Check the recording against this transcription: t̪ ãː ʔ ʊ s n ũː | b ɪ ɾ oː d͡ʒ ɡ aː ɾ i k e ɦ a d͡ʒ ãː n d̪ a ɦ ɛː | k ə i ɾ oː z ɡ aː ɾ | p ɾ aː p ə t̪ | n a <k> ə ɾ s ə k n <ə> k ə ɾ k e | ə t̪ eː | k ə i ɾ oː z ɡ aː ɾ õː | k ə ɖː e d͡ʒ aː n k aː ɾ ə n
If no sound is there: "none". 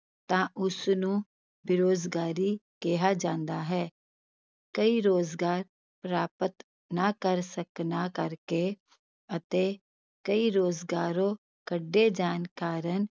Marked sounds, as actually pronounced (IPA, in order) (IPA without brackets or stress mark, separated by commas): k, a